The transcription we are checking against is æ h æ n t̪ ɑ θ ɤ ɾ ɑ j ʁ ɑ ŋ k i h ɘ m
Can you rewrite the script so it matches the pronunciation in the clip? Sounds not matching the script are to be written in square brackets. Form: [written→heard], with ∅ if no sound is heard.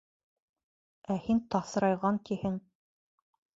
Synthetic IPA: æ h [æ→i] n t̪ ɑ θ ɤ ɾ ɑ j ʁ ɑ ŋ k i h ɘ [m→ŋ]